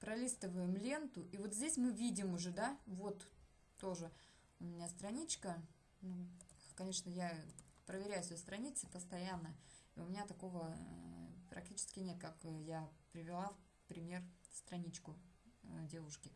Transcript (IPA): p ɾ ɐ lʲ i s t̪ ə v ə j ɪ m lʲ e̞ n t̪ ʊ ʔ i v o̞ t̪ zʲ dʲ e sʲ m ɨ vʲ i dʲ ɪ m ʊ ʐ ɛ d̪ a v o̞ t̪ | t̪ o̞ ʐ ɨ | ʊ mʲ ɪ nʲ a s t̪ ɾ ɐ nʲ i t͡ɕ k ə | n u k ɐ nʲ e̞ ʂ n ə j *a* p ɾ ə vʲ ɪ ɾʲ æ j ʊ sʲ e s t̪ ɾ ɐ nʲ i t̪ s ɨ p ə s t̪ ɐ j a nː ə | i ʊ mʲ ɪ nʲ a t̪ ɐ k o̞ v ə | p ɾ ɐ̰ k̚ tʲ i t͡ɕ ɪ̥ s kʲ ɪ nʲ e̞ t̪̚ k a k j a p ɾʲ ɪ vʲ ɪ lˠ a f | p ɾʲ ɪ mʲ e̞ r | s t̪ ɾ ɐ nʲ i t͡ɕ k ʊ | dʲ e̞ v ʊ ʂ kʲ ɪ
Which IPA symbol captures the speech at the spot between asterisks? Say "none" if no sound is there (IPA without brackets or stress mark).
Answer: a